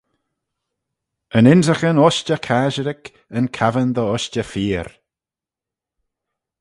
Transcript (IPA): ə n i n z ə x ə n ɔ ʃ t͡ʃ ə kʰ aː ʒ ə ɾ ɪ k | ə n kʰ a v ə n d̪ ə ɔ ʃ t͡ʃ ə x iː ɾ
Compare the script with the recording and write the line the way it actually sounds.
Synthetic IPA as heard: ə n ɪ n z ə x ə n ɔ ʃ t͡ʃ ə kʰ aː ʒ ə ɾ ɪ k | ə n kʰ a v ə n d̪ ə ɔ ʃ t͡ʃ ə f iː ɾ